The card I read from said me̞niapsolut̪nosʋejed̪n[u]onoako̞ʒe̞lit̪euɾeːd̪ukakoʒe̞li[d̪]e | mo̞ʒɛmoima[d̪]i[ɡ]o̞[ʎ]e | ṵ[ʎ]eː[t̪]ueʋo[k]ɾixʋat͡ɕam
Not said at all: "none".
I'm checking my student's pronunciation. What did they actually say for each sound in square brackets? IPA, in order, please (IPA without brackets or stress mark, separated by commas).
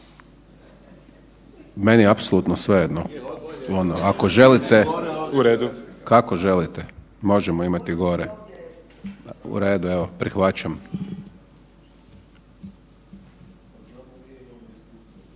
o, t̪, t̪, ɡ, ɾ, ɾ, d̪, p